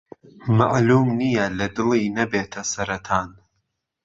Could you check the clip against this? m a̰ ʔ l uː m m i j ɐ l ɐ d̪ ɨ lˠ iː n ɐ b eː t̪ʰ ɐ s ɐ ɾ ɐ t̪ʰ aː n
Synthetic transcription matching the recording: m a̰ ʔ l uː m n i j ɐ l ɐ d̪ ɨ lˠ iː n ɐ b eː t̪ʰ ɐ s ɐ ɾ ɐ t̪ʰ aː n